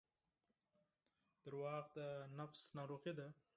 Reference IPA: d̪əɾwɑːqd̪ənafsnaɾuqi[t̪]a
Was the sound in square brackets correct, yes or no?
no